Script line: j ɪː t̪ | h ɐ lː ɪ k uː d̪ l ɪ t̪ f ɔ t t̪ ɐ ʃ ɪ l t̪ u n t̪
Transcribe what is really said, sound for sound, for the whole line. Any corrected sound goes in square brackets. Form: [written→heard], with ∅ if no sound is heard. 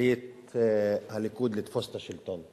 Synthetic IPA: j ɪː t̪ | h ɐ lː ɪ k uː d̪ l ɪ t̪ f ɔ [t→s] t̪ ɐ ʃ ɪ l t̪ [u→ɔ] n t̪

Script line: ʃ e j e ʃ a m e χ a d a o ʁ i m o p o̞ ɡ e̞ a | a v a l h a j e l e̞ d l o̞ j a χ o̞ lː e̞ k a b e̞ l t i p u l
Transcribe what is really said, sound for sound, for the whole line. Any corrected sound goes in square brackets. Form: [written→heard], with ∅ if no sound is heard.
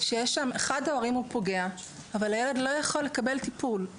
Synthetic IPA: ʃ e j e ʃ a m e χ a d a o ʁ i m [o→u] p o̞ ɡ e̞ a | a v a l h a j e l e̞ d l o̞ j a χ o̞ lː e̞ k a b e̞ l t i p u l

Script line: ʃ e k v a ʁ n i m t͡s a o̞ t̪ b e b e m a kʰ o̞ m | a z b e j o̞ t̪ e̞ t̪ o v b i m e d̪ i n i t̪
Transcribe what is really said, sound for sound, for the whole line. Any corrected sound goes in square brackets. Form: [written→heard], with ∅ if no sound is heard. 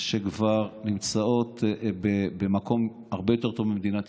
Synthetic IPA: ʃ e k v a ʁ n i m t͡s a o̞ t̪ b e b e m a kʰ o̞ m | a [z→ʁ] b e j o̞ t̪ e̞ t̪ o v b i m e d̪ i n [i→a] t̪

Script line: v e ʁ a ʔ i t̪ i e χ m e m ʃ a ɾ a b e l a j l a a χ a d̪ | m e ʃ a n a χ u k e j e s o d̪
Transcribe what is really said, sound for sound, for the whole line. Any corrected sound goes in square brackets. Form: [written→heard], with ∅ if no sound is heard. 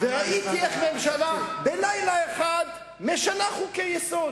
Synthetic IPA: v e ʁ a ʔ i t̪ i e χ m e m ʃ a [ɾ→l] a b e l a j l a [a→e] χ a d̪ | m e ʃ a n a χ u k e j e s o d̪

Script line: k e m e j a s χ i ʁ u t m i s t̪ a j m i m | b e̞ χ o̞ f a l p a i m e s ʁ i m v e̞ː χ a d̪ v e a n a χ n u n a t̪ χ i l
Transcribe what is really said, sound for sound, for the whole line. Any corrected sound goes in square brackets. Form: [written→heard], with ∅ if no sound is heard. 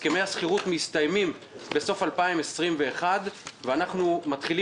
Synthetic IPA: k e m e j a s χ i ʁ u t m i s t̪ a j m i m | b e̞ [χ→s] o̞ f a l p a i m e s ʁ i m v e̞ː χ a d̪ v e a n a χ n u [n→m] a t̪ χ i l

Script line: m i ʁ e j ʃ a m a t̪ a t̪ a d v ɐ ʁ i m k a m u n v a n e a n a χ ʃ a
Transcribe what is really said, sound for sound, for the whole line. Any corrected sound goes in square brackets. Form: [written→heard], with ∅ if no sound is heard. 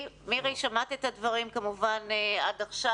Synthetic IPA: m i ʁ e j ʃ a m a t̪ [a→e] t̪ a d v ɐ ʁ i m k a m u [n→∅] v a n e a [n→d] a χ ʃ a

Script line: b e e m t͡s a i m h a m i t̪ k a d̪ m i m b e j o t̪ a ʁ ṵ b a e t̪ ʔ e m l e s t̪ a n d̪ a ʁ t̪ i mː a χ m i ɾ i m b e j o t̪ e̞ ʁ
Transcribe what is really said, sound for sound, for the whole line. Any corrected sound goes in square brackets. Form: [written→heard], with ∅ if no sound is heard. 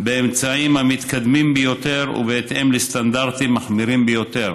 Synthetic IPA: b e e m t͡s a i m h a m i t̪ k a d̪ m i m b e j o t̪ [a→e] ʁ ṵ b [a→e] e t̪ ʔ e m l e s t̪ a n d̪ a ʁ t̪ i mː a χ m i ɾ i m b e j o t̪ e̞ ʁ

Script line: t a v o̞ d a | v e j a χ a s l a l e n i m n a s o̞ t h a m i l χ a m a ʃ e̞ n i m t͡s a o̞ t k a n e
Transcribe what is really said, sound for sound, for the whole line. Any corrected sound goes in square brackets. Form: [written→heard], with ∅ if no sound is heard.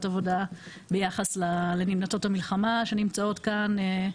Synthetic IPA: t a v o̞ d a | [v→b] e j a χ a s l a l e n i m n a [s→t] o̞ t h a m i l χ a m a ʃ e̞ n i m t͡s a o̞ t k a n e

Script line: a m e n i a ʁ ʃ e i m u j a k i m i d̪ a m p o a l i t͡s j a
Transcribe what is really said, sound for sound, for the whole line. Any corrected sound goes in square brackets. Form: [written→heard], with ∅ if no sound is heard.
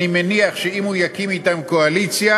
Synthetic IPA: [a→i] m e n i a [ʁ→χ] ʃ e i m u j a k i m i [d̪→t̪] a m [p→k] o a l i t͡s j a

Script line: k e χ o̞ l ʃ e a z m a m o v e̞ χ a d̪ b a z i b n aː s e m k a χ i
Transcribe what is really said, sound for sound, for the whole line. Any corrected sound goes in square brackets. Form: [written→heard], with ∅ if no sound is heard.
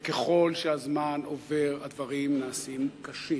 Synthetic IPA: k e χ o̞ l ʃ e a z m a [m→n] o v e̞ [χ→ʁ] a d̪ [b→v] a [z→ʁ] i [b→m] n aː s [e→i] m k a [χ→ʃ] i

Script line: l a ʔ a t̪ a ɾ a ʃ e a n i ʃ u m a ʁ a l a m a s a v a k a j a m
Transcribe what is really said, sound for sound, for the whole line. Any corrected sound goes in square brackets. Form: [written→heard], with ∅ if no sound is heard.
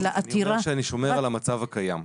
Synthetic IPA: l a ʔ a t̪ [a→i] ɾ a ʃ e a n i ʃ [u→o] m [a→e] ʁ a l a m a [s→t͡s] a v a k a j a m

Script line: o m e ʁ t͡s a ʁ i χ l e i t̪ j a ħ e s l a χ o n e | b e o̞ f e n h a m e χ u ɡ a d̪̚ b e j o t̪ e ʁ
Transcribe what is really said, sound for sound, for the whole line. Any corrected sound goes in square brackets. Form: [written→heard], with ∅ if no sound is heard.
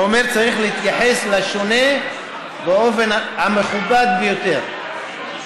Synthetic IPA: o m e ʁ t͡s a ʁ i χ l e i t̪ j a ħ e s l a [χ→ʃ] o n e | b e o̞ f e n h a m e χ u [ɡ→b] a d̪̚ b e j o t̪ e ʁ

